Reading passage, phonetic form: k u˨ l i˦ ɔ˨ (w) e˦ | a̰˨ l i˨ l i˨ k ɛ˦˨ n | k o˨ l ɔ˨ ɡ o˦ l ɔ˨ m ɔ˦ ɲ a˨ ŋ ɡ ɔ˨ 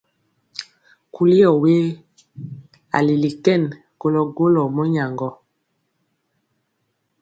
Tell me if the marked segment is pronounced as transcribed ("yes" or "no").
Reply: yes